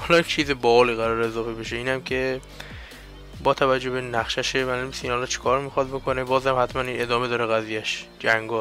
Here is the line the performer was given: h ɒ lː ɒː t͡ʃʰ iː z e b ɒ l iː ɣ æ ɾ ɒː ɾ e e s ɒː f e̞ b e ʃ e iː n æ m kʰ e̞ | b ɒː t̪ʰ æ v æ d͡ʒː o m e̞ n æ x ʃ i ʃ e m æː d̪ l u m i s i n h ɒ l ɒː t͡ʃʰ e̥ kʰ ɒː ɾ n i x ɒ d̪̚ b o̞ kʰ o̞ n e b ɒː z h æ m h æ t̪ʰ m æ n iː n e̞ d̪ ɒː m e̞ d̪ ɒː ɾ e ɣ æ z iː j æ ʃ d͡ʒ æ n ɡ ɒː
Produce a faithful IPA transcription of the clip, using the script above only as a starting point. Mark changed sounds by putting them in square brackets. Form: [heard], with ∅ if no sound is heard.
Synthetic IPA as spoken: h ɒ [l] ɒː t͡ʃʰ iː z e b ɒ l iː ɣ æ ɾ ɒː ɾ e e [z] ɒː f e̞ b e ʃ e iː n æ m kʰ e̞ | b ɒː t̪ʰ æ v æ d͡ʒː o [b] e̞ n æ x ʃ [æ] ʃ e m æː [∅] l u m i s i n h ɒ l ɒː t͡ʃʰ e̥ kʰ ɒː ɾ [m] i x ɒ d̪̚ b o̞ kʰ o̞ n e b ɒː z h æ m h æ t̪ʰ m æ n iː n e̞ d̪ ɒː m e̞ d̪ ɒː ɾ e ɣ æ z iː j æ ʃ d͡ʒ æ [ŋ] ɡ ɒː